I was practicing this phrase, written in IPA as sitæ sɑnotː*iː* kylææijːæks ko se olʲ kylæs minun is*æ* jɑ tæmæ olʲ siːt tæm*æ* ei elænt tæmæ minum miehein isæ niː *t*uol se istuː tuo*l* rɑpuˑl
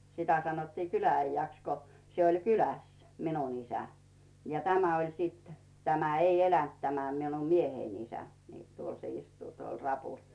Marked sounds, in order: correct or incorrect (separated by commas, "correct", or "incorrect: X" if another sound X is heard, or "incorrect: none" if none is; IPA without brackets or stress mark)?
correct, correct, correct, correct, correct